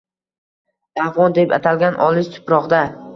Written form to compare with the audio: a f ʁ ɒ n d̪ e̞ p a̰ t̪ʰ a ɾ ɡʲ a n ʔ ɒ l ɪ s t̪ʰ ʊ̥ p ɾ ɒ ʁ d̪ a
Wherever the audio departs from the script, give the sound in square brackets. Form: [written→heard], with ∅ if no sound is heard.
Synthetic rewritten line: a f ʁ ɒ n d̪ e̞ p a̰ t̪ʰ a [ɾ→l] ɡʲ a n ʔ ɒ l ɪ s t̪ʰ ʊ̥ p ɾ ɒ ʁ d̪ a